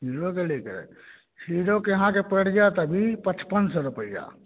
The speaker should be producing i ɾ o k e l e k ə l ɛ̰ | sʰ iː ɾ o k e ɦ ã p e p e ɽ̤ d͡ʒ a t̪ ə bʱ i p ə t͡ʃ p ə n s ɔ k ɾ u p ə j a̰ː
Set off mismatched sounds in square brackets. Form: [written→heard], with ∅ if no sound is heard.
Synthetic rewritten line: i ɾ o k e l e k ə [l→ɾ] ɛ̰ | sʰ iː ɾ o k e ɦ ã [p→k] e p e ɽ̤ d͡ʒ a t̪ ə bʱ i p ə t͡ʃ p ə n s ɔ [k→∅] ɾ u p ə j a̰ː